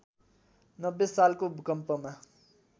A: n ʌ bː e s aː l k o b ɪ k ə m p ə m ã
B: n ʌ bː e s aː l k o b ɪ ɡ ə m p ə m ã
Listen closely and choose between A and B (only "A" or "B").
A